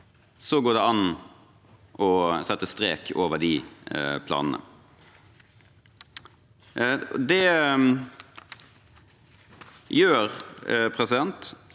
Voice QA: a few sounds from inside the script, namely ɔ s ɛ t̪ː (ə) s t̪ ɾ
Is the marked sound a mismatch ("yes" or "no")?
no